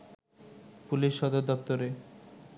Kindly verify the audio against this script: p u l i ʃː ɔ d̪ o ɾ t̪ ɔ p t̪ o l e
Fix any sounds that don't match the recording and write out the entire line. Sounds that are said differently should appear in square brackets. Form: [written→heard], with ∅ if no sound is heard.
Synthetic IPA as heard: p u l i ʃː ɔ d̪ o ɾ [t̪→d̪] ɔ p t̪ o [l→ɾ] e

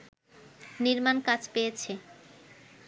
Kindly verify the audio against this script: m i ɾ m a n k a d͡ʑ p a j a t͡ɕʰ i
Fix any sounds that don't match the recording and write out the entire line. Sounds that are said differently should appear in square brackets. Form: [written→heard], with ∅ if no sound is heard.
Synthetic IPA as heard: [m→n] i ɾ m a n k a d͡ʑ p [a→e] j [a→e] t͡ɕʰ [i→e]

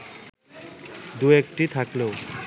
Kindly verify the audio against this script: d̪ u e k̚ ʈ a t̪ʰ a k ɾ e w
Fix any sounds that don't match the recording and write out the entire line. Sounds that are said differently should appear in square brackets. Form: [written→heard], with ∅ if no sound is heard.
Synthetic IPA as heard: d̪ u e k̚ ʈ [a→i] t̪ʰ a k [ɾ→l] e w

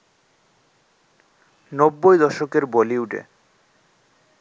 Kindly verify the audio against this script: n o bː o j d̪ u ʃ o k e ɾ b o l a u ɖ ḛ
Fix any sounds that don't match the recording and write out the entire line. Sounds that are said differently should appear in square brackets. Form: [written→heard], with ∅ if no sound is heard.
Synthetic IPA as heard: n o bː o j d̪ [u→ɔ] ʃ o k e ɾ b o l [a→i] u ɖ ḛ

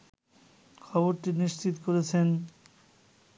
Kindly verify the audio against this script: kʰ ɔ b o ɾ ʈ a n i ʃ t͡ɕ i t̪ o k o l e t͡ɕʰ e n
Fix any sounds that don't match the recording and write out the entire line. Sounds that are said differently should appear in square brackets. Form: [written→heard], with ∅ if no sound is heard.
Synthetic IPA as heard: kʰ ɔ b o ɾ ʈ [a→i] n i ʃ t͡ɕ i t̪ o k o [l→ɾ] e t͡ɕʰ e n

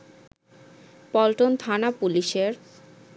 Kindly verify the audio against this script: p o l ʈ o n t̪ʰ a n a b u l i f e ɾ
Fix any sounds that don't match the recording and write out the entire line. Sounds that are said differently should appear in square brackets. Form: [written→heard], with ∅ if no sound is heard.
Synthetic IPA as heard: p [o→ɔ] l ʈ o n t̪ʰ a n a [b→p] u l i [f→ʃ] e ɾ

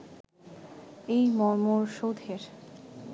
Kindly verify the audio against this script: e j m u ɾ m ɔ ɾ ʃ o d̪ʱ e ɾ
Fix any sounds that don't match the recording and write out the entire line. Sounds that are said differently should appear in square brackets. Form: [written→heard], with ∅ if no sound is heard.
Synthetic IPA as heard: e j m [u→ɔ] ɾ m [ɔ→o] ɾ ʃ o d̪ʱ e ɾ

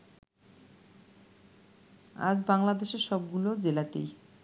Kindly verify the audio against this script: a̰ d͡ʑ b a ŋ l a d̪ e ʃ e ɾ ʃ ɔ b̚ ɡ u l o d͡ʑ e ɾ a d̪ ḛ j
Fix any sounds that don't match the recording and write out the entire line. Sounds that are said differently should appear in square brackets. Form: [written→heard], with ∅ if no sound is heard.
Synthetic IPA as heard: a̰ d͡ʑ b a ŋ l a d̪ e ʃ e ɾ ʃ ɔ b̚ ɡ u l o d͡ʑ e [ɾ→l] a [d̪→t̪] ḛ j

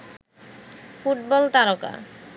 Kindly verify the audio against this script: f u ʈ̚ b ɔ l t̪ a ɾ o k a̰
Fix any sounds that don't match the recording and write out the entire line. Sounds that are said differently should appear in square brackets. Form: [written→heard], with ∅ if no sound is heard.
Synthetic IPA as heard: f u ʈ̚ b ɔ l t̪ a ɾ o k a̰

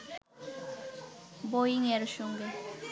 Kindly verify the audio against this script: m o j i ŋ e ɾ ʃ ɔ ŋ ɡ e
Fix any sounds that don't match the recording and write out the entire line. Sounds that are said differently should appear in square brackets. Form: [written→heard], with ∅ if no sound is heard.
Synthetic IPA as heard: [m→b] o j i ŋ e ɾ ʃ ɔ ŋ ɡ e

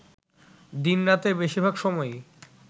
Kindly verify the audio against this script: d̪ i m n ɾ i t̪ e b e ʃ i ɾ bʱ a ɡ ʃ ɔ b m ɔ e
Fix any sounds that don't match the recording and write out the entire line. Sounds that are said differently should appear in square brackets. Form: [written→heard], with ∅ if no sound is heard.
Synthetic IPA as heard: d̪ i [m→∅] n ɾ [i→a] t̪ e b e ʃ i ɾ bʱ a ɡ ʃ ɔ [b→∅] m ɔ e

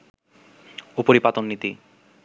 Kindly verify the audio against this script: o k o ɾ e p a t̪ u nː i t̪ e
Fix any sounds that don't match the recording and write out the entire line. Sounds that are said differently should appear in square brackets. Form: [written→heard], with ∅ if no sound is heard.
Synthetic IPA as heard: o [k→p] o ɾ [e→i] p a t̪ [u→o] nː i t̪ [e→i]

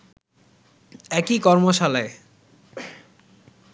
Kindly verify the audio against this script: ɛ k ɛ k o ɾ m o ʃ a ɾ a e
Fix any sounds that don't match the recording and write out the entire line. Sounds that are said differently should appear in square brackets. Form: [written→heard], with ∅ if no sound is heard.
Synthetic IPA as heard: ɛ k [ɛ→i] k [o→ɔ] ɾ m o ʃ a [ɾ→l] a e

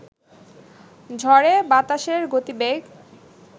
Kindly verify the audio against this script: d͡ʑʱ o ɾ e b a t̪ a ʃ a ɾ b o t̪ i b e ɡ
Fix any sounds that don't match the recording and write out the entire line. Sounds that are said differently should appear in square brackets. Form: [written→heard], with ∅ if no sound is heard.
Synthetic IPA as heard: d͡ʑʱ [o→ɔ] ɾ e b a t̪ a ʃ [a→e] ɾ [b→ɡ] o t̪ i b e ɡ

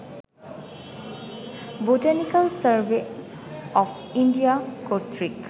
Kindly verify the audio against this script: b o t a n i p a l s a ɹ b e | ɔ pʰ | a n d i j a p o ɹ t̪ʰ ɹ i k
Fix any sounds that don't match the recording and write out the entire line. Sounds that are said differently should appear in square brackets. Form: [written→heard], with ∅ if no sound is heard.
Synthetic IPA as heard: b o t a n i [p→k] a l s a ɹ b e | ɔ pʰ | [a→i] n d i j a [p→k] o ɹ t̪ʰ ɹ i k

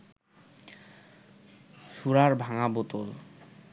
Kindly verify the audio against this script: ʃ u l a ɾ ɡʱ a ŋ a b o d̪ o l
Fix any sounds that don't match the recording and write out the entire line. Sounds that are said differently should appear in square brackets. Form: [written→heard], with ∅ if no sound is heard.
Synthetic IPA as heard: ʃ u [l→ɾ] a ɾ [ɡʱ→bʱ] a ŋ a b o [d̪→t̪] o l

